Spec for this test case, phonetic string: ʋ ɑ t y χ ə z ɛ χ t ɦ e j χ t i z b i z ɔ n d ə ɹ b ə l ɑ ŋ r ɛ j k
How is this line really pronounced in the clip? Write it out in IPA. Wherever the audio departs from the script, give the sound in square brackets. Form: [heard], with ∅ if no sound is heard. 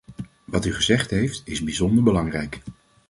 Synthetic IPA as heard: ʋ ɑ t y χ ə z ɛ χ t ɦ e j [f] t [ɪ] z b i z ɔ n d ə ɹ b ə l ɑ ŋ r ɛ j k